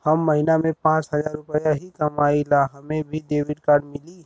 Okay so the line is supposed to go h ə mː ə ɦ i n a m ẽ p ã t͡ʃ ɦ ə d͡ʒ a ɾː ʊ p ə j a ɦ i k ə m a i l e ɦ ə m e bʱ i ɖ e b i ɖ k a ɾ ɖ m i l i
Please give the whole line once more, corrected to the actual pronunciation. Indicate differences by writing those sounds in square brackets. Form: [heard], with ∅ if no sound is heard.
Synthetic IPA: h ə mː ə ɦ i n a m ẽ p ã t͡ʃ ɦ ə d͡ʒ a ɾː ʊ p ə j a ɦ i k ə m a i l [a] ɦ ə m e bʱ i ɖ e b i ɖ k a ɾ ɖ m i l i